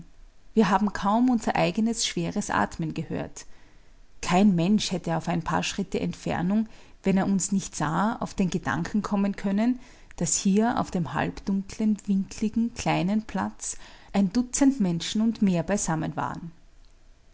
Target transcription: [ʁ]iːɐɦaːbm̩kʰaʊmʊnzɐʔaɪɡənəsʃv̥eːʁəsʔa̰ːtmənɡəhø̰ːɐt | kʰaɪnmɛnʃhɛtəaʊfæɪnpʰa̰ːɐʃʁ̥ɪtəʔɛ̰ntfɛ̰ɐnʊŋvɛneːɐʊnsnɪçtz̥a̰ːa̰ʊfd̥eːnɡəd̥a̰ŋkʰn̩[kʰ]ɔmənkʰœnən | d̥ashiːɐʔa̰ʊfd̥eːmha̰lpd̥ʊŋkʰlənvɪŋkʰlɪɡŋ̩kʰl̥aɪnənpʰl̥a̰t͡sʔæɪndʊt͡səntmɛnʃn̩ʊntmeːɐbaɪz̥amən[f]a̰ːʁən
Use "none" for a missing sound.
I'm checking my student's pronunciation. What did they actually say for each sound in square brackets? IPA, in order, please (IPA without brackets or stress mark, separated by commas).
v, kʰ, v